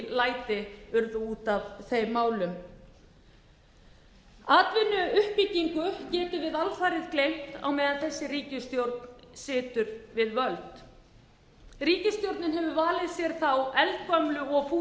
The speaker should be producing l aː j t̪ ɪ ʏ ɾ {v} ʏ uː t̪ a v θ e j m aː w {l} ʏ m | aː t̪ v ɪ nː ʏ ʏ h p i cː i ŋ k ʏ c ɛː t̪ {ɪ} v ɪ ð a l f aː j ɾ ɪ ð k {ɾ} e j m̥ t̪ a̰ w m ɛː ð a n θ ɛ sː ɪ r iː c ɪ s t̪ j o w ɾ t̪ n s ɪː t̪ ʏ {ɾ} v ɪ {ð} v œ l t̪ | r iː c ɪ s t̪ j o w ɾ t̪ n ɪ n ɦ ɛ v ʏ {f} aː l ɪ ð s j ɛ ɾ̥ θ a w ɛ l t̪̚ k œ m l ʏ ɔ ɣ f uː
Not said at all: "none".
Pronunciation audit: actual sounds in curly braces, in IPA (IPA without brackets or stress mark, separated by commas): ð, l, ɪ, l, ɾ, ð, v